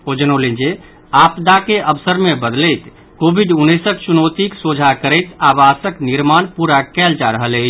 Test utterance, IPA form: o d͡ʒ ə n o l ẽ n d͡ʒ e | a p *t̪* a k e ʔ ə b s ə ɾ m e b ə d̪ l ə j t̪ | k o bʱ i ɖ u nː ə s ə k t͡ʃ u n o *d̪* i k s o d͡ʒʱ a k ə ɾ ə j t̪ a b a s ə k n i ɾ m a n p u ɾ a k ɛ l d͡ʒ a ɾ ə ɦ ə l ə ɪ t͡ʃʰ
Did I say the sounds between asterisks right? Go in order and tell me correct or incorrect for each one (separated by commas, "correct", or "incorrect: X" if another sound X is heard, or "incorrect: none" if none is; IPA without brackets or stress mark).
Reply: incorrect: d̪, incorrect: t̪